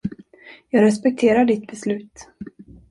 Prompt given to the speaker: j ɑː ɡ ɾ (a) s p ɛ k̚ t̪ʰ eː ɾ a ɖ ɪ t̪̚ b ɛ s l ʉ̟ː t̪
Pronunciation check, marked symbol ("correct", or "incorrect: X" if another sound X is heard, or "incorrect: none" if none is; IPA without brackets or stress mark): incorrect: ɛ